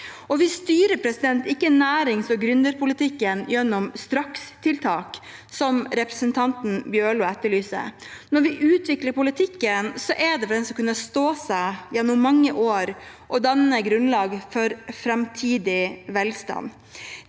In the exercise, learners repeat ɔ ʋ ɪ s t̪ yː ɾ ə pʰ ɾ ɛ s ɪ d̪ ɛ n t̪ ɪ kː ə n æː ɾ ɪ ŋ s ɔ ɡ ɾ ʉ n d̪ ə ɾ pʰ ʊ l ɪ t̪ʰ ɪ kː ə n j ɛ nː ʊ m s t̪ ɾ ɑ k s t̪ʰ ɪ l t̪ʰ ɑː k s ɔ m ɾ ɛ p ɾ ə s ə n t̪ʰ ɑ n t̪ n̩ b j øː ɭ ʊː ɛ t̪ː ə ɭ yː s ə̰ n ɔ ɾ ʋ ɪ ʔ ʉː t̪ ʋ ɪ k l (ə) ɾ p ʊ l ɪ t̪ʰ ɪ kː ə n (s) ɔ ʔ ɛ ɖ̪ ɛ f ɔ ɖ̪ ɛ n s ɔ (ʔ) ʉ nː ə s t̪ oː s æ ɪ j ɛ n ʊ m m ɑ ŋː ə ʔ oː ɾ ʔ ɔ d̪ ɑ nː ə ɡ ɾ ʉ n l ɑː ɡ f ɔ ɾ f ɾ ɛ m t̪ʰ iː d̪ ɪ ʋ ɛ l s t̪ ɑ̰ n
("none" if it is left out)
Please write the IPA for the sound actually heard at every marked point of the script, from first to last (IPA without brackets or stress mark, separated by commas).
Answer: ə, s, k